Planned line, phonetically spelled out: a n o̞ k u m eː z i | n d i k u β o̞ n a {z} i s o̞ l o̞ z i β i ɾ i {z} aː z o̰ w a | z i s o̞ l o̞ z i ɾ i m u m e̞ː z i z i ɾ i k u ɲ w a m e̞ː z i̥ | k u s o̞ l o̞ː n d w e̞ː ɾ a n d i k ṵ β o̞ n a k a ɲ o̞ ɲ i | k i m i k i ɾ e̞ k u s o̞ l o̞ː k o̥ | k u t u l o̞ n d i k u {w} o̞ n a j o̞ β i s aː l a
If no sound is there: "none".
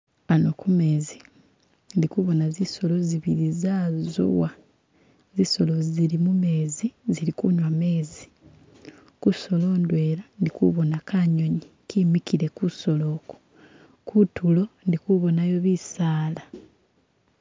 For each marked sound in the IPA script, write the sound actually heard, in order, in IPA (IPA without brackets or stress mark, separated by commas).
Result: z, z, β